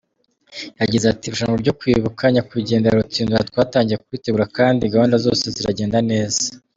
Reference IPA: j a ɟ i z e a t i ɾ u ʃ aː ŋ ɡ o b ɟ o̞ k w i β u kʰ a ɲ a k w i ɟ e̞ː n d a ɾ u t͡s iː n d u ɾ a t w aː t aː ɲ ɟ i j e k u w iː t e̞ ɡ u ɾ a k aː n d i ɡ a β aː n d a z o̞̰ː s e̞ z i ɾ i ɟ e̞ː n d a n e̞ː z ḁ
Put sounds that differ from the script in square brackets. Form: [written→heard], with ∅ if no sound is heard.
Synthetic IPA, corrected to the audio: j a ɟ i z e a t i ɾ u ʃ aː ŋ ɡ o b ɟ o̞ k w i β u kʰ a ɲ a k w i ɟ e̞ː n d a ɾ u t͡s iː n d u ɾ a t w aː t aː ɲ ɟ i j e k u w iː t e̞ ɡ u ɾ a k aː n d i ɡ a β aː n d a z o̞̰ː s e̞ z i ɾ [i→a] ɟ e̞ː n d a n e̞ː z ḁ